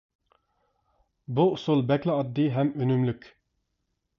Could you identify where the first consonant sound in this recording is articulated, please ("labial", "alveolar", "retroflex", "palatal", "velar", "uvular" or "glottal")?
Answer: labial